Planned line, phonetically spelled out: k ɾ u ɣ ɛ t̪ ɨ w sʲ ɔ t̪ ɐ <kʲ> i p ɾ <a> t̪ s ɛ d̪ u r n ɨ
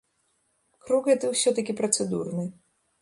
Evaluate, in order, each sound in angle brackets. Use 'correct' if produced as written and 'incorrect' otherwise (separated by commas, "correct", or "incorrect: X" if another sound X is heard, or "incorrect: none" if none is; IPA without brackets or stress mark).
correct, incorrect: ɐ